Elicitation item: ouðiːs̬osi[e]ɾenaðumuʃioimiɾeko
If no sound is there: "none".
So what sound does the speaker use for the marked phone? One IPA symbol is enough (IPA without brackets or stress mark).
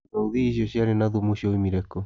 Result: a